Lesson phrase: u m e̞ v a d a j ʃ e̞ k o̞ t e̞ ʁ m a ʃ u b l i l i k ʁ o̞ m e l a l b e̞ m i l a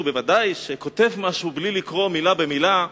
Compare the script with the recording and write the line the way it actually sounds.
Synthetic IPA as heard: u b e̞ v a d a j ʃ e̞ k o̞ t e̞ v m a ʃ u b l i l i k ʁ o̞ m i l a b e̞ m i l a